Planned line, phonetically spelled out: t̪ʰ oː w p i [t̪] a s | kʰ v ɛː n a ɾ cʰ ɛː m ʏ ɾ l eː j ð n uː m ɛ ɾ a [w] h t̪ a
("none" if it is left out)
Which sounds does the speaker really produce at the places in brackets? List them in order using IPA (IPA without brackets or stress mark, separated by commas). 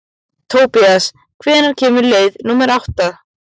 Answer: none, w